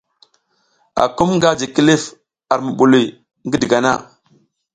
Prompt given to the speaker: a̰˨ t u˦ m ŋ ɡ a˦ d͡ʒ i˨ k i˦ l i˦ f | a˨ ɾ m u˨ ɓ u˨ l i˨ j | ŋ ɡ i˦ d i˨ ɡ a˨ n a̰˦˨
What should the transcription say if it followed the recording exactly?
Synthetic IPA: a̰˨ k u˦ m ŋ ɡ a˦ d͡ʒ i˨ k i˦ l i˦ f | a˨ ɾ m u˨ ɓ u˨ l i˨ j | ŋ ɡ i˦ d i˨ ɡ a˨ n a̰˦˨